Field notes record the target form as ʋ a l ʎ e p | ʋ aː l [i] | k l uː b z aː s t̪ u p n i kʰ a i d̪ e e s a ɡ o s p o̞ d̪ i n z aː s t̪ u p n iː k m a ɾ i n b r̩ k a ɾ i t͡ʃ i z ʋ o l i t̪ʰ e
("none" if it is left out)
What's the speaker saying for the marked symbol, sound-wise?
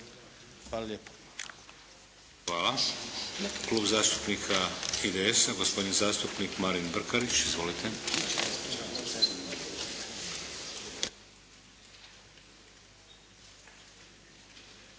a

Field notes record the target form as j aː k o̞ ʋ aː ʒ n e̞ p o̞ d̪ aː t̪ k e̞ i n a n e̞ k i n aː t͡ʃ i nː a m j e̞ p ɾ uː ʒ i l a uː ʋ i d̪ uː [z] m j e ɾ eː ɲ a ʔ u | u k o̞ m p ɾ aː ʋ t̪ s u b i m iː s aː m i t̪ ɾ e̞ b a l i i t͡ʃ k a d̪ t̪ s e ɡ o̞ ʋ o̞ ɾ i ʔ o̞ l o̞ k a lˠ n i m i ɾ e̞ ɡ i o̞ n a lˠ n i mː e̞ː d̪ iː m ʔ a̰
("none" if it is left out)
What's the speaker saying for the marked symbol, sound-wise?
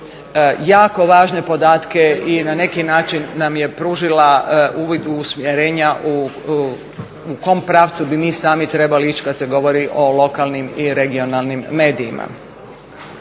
s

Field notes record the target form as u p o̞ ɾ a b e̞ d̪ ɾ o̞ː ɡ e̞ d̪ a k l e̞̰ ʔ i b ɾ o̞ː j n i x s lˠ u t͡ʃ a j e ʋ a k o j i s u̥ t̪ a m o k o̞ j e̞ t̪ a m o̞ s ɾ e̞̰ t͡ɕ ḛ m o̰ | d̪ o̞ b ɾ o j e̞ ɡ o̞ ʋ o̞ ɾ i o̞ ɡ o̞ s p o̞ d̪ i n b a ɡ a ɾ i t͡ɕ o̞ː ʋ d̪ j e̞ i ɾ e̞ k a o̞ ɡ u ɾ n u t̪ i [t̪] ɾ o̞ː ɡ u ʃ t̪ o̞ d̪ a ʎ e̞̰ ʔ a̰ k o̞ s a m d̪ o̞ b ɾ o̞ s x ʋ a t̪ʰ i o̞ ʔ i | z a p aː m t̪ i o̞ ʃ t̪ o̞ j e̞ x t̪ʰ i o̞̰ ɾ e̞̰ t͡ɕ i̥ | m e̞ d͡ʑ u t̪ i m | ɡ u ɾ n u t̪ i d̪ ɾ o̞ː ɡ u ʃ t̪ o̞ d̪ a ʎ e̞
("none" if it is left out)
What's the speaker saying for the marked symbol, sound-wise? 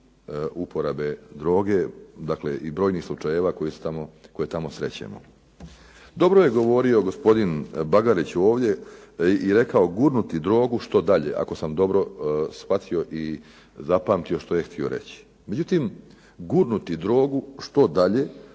d̪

